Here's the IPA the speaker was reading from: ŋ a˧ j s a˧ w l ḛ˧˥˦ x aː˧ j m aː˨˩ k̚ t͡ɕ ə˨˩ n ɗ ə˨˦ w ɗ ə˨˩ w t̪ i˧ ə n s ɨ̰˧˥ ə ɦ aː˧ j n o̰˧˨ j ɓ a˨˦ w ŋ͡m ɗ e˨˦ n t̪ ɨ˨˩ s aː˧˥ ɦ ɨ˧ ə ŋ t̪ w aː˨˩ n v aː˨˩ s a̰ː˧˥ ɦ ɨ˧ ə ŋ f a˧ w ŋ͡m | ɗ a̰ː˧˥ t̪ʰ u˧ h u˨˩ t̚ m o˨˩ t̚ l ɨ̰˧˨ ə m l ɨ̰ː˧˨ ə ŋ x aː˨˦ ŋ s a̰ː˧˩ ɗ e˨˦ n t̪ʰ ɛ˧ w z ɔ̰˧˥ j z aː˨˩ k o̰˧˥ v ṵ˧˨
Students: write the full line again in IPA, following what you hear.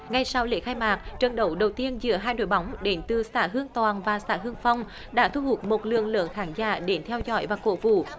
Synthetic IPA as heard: ŋ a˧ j s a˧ w l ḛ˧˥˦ x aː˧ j m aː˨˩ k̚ t͡ɕ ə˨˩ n ɗ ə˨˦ w ɗ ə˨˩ w t̪ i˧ ə n z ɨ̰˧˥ ə ɦ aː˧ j n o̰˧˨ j ɓ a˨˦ w ŋ͡m ɗ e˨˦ n t̪ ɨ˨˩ s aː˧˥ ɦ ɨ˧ ə ŋ t̪ w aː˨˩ n v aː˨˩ s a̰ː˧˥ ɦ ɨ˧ ə ŋ f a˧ w ŋ͡m | ɗ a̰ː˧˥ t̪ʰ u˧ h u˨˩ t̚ m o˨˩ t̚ l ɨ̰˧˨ ə ŋ l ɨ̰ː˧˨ ə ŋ x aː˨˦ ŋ z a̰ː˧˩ ɗ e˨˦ n t̪ʰ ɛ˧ w z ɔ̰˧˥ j v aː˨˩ k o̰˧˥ v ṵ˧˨